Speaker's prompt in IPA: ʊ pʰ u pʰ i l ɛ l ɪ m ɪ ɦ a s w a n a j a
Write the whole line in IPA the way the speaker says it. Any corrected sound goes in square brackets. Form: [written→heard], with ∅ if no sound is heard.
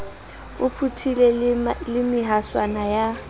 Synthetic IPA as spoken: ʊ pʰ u [pʰ→tʰ] i l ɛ l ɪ m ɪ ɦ a s w a n a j a